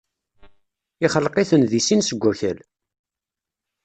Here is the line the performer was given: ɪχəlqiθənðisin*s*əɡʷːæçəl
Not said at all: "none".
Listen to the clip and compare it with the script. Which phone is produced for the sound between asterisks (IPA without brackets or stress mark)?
s